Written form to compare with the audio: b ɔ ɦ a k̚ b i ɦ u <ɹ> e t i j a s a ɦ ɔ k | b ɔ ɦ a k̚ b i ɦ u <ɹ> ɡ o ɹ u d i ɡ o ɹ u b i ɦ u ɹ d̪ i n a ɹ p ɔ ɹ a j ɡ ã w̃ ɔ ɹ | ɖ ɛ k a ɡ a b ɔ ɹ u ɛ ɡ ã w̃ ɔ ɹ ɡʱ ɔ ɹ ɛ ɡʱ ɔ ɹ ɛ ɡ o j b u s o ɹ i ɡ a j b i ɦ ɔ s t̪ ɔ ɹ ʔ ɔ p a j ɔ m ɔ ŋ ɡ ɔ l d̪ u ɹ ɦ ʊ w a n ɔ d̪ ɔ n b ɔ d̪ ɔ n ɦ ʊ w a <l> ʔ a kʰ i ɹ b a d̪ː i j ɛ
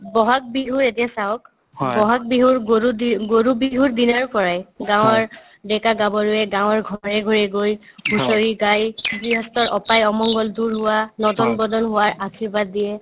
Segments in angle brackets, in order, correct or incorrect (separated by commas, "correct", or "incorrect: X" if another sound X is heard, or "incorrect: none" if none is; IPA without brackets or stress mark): correct, correct, incorrect: ɹ